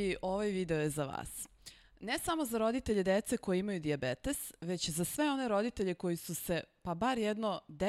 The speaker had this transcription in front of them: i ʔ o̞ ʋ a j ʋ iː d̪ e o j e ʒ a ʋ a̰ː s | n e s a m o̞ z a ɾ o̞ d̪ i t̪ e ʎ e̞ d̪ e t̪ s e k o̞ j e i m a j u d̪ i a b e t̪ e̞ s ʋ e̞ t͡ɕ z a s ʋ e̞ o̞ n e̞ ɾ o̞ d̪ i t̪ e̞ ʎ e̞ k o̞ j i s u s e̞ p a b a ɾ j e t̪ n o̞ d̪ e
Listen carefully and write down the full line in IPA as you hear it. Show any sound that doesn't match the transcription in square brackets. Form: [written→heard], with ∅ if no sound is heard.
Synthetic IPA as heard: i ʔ o̞ ʋ a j ʋ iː d̪ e o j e [ʒ→z] a ʋ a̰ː s | n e s a m o̞ z a ɾ o̞ d̪ i t̪ e ʎ e̞ d̪ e t̪ s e k o̞ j e i m a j u d̪ i a b e t̪ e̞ s ʋ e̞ t͡ɕ z a s ʋ e̞ o̞ n e̞ ɾ o̞ d̪ i t̪ e̞ ʎ e̞ k o̞ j i s u s e̞ p a b a ɾ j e [t̪→d̪] n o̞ d̪ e